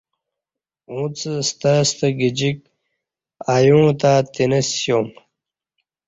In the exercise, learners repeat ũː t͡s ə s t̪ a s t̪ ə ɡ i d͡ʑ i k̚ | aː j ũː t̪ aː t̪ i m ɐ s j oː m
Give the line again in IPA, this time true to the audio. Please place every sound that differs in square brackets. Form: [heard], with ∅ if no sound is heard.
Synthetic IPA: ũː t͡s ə s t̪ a s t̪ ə ɡ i d͡ʑ i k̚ | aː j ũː t̪ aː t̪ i [n] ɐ s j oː m